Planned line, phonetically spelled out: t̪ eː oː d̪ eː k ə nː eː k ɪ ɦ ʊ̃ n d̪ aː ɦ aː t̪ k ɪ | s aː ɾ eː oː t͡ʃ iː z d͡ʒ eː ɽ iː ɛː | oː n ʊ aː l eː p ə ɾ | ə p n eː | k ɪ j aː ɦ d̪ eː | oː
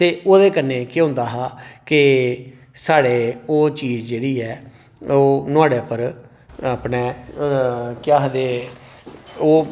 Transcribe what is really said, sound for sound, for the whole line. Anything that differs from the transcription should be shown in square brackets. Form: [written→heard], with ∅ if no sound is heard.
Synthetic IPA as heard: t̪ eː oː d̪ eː k ə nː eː k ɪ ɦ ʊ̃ n d̪ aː ɦ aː [t̪→∅] k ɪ | s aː [ɾ→ɽ] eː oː t͡ʃ iː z d͡ʒ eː ɽ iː ɛː | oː n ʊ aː [l→ɽ] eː p ə ɾ | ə p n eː | k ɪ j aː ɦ d̪ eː | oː